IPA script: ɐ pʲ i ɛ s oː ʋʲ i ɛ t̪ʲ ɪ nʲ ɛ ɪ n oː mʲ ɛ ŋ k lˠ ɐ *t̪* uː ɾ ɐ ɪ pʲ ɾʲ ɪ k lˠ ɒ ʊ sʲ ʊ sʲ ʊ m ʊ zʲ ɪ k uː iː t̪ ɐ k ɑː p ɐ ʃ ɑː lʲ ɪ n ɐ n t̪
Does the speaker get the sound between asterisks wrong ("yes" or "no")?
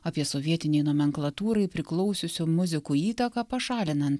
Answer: no